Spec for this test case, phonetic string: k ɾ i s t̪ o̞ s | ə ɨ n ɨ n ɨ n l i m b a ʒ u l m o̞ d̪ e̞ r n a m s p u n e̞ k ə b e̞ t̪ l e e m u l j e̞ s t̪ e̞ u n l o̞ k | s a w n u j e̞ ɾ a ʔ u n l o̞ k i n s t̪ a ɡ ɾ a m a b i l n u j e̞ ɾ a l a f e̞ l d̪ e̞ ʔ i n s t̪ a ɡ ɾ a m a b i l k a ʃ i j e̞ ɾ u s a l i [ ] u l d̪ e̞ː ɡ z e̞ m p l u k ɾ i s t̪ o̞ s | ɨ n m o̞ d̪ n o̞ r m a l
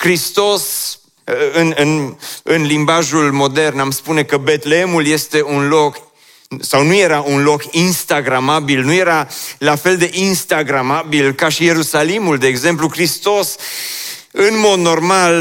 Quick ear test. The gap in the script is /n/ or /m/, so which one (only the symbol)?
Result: m